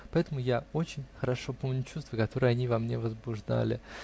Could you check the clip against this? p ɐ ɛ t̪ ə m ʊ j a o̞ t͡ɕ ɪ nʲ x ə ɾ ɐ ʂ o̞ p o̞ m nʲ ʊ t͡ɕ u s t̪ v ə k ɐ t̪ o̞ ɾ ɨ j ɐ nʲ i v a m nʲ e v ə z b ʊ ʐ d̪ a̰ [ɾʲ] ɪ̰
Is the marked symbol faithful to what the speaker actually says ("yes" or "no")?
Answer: no